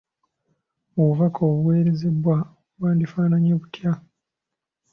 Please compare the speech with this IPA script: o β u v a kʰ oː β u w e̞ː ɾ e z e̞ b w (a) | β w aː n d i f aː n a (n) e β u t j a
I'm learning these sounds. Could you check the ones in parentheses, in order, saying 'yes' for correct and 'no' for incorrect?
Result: yes, no

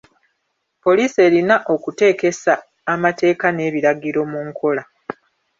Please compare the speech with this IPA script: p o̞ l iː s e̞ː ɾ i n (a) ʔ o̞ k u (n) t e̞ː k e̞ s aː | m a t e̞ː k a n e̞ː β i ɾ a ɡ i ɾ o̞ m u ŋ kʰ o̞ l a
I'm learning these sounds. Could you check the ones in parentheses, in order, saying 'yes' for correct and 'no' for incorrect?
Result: yes, no

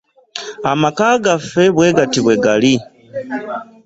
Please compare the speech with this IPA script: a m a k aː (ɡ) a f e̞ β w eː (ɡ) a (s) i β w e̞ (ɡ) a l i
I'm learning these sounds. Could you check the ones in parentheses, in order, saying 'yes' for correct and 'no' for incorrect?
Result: yes, yes, no, yes

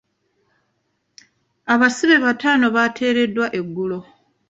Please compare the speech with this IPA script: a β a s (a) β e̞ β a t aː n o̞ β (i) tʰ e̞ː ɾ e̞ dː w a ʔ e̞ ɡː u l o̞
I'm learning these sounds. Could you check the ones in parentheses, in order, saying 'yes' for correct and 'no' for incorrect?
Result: no, no

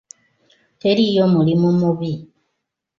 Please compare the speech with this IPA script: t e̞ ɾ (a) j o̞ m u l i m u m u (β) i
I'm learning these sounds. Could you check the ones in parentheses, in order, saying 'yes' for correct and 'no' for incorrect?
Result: no, yes

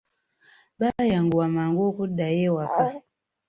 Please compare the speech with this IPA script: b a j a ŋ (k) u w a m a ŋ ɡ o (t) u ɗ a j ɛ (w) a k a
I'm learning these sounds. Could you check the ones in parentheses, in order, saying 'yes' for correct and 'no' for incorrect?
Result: no, no, yes

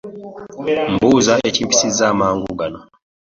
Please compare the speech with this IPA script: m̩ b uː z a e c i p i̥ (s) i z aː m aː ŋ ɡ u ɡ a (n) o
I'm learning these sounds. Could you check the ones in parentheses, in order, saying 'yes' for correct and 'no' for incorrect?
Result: yes, yes

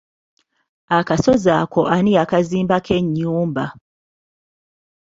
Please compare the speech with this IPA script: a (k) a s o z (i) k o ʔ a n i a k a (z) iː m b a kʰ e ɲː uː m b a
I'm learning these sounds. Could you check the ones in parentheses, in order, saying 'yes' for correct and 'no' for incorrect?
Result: yes, no, yes

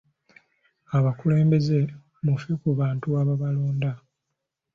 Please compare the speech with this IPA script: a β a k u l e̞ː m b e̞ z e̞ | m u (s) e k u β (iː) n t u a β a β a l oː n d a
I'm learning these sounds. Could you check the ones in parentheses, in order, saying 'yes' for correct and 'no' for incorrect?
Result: no, no

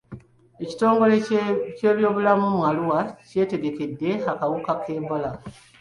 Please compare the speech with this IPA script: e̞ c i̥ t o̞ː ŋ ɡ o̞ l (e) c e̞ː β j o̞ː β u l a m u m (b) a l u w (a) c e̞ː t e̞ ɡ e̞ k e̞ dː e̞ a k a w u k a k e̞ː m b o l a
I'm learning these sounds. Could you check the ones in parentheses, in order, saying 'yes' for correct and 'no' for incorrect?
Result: yes, no, yes

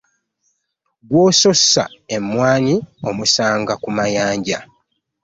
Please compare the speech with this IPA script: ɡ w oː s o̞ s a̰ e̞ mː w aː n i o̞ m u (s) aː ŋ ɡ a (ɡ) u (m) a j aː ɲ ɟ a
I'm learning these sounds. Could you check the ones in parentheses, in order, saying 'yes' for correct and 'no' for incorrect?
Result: yes, no, yes

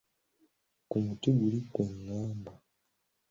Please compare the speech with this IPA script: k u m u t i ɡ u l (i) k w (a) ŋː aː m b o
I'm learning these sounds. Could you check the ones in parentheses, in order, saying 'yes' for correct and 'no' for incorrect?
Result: yes, no

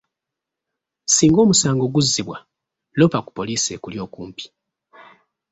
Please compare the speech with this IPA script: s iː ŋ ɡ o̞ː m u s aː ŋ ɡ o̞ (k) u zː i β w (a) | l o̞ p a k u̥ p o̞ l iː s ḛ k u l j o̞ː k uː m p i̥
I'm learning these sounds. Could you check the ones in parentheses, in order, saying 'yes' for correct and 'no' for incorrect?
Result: no, yes

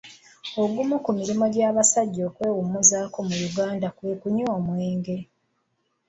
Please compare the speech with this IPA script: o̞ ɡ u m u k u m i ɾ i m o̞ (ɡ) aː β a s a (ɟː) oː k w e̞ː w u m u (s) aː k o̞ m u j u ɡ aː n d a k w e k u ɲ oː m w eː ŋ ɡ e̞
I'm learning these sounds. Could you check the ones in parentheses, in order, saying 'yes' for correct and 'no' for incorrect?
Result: no, yes, no

